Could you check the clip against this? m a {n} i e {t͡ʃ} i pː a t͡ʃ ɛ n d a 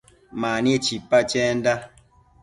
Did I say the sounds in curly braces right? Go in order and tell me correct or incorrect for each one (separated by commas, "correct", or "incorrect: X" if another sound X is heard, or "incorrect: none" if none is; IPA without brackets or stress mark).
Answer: correct, correct